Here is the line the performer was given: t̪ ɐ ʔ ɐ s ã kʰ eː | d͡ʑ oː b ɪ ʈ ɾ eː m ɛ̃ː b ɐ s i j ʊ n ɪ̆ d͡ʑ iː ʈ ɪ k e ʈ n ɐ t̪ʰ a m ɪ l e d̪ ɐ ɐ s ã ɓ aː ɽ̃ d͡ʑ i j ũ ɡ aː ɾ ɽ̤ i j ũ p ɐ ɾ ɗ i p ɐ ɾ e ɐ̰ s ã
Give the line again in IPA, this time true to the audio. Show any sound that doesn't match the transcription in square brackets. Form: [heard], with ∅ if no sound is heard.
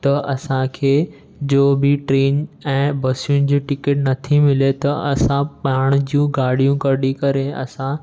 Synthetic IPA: t̪ ɐ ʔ ɐ s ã kʰ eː | d͡ʑ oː b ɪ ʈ ɾ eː [n] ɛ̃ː b ɐ s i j ʊ n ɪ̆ d͡ʑ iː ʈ ɪ k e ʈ n ɐ t̪ʰ [i] m ɪ l e [t̪] ɐ ɐ s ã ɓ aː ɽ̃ d͡ʑ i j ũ ɡ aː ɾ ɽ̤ i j ũ [k] ɐ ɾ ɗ i [k] ɐ ɾ e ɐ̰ s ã

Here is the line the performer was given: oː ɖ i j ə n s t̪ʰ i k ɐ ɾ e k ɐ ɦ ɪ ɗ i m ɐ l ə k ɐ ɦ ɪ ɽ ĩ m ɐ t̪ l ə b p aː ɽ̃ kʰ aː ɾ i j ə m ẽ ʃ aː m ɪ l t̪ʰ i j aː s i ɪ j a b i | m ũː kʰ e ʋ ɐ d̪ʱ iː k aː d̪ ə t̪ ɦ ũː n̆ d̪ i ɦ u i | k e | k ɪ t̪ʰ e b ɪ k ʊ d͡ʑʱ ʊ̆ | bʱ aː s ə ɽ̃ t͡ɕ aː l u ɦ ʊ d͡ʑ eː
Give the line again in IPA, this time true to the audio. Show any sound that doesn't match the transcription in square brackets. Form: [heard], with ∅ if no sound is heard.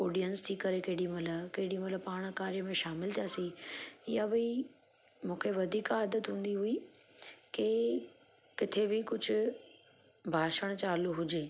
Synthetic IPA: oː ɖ i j ə n s t̪ʰ i k ɐ ɾ e k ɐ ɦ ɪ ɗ i m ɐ l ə k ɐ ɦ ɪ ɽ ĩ m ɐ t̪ l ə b p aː ɽ̃ [k] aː ɾ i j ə m ẽ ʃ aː m ɪ l t̪ʰ i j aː s i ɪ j a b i | m ũː kʰ e ʋ ɐ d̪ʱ iː k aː d̪ ə t̪ ɦ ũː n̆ d̪ i ɦ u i | k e | k ɪ t̪ʰ e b ɪ k ʊ d͡ʑʱ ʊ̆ | bʱ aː [ʃ] ə ɽ̃ t͡ɕ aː l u ɦ ʊ d͡ʑ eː

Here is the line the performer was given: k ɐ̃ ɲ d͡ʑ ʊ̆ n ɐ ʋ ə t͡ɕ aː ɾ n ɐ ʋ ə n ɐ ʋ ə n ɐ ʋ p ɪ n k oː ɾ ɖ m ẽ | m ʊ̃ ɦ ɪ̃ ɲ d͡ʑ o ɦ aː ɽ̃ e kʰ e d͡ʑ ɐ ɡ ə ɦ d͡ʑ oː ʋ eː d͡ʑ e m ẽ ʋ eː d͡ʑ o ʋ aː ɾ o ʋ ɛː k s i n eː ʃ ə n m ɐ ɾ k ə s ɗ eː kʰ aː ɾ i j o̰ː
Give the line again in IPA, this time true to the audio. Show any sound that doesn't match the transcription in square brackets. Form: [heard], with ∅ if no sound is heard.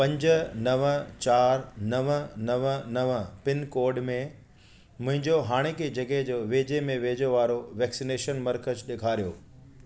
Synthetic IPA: [p] ɐ̃ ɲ d͡ʑ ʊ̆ n ɐ ʋ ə t͡ɕ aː ɾ n ɐ ʋ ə n ɐ ʋ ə n ɐ ʋ p ɪ n k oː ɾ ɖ m ẽ | m ʊ̃ ɦ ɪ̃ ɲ d͡ʑ o ɦ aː ɽ̃ e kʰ e d͡ʑ ɐ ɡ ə ɦ d͡ʑ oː ʋ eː d͡ʑ e m ẽ ʋ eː d͡ʑ o ʋ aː ɾ o ʋ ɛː k s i n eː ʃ ə n m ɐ ɾ k ə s ɗ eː kʰ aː ɾ i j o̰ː

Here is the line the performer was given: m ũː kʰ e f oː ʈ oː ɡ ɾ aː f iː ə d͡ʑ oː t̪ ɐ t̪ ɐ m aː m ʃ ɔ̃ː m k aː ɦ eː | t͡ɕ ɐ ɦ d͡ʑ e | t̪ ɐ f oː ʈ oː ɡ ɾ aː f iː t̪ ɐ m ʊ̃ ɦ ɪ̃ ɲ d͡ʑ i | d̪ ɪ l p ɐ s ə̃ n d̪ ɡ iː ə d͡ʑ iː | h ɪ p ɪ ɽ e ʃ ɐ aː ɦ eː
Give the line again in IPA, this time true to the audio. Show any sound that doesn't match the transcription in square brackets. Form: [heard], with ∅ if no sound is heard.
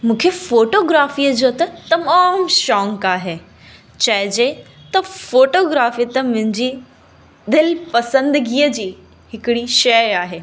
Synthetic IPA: m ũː kʰ e f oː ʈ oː ɡ ɾ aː f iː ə d͡ʑ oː t̪ ɐ t̪ ɐ m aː m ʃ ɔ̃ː [ŋ] k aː ɦ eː | t͡ɕ ɐ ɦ d͡ʑ e | t̪ ɐ f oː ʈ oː ɡ ɾ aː f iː t̪ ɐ m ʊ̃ ɦ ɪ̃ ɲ d͡ʑ i | d̪ ɪ l p ɐ s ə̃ n d̪ ɡ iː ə d͡ʑ iː | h ɪ [k] ɪ ɽ [i] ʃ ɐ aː ɦ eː

